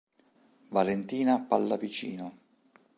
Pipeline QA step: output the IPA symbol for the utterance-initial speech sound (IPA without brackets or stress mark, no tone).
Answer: v